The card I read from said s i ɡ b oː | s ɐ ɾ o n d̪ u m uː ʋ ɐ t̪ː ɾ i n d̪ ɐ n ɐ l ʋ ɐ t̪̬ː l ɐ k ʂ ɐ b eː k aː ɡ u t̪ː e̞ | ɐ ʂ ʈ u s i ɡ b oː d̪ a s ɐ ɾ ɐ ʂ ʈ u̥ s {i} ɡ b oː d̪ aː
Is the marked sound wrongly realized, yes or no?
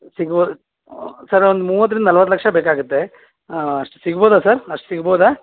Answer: no